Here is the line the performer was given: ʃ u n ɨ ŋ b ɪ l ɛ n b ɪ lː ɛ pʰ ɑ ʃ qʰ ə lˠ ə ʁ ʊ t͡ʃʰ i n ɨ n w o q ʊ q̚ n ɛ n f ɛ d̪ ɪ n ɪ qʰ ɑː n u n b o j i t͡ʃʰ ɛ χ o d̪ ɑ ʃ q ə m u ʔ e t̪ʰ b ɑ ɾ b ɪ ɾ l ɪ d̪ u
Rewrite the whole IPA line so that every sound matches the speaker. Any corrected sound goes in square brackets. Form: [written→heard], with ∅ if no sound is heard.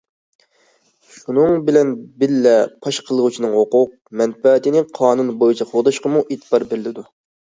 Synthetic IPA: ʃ u n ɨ ŋ b ɪ l ɛ n b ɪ lː ɛ pʰ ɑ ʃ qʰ ə lˠ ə ʁ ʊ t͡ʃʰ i n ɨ [n→ŋ] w o q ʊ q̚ [n→m] ɛ n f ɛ [d̪→t̪] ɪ n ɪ qʰ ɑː n u n b o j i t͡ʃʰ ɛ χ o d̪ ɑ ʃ q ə m u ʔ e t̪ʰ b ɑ ɾ b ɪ ɾ l ɪ d̪ u